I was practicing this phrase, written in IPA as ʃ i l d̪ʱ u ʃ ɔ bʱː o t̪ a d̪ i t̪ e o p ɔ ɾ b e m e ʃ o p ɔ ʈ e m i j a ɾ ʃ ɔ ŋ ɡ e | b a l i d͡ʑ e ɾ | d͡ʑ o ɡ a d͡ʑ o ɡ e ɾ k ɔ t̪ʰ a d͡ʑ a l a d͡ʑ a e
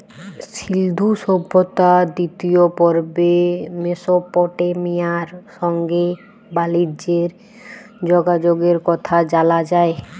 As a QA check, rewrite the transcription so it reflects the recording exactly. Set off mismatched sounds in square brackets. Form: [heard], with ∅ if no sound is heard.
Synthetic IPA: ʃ i l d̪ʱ u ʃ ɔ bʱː o t̪ a d̪ i t̪ [i] o p ɔ ɾ b e m e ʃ o p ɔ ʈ e m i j a ɾ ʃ ɔ ŋ ɡ e | b a l i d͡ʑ e ɾ | d͡ʑ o ɡ a d͡ʑ o ɡ e ɾ k ɔ t̪ʰ a d͡ʑ a l a d͡ʑ a e